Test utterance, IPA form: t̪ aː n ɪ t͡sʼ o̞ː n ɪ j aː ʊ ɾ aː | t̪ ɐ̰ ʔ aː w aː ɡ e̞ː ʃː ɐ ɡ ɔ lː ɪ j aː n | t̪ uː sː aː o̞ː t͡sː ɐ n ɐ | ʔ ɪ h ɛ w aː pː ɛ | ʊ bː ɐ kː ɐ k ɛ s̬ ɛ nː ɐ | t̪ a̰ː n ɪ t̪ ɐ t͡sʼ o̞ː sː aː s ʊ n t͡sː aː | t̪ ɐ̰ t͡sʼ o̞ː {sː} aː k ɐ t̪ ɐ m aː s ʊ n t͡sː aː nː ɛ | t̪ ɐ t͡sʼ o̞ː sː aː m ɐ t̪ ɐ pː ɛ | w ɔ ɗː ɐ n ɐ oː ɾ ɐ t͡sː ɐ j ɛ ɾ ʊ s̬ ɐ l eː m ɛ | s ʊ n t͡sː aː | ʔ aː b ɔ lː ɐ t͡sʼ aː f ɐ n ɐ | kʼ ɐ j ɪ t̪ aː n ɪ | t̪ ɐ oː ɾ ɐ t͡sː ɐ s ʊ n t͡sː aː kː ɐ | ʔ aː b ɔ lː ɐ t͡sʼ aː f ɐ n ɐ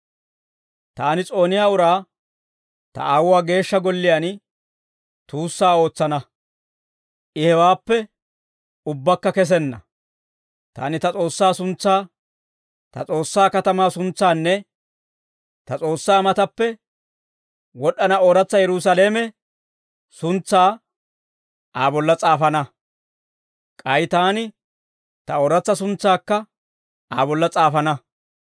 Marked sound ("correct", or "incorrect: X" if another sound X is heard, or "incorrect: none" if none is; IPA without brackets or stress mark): correct